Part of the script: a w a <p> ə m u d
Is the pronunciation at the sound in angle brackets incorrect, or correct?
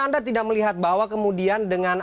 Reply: incorrect